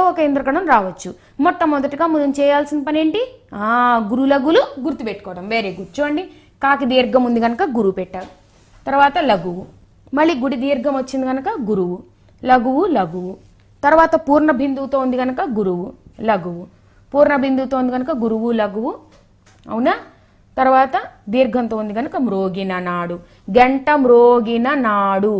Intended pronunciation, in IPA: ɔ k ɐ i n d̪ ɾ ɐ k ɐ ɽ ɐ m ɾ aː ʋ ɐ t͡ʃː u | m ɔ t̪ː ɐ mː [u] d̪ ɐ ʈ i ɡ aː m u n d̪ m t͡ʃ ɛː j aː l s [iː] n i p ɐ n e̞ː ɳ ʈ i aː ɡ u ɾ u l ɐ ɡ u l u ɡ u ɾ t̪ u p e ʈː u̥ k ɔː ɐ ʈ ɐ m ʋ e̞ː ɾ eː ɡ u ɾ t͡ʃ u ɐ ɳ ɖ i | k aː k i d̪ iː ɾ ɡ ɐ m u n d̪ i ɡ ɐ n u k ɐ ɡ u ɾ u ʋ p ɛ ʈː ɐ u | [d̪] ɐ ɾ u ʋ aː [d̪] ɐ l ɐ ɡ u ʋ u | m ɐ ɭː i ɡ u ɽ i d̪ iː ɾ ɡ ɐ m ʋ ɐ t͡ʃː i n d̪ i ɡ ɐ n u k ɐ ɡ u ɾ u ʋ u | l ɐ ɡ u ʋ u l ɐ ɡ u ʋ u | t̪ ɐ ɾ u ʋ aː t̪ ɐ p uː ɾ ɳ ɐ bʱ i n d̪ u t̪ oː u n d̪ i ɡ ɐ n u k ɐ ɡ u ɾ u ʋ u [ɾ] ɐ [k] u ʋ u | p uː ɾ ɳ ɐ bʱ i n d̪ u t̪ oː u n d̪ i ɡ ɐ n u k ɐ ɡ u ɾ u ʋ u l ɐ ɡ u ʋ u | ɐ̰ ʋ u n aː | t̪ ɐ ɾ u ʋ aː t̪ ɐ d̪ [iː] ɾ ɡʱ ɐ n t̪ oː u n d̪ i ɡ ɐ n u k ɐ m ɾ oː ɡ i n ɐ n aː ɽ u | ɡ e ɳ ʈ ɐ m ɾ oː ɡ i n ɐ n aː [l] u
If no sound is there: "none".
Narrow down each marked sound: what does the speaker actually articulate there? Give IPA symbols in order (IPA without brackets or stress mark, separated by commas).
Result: ɔ, i, t̪, t̪, l, ɡ, iː, ɽ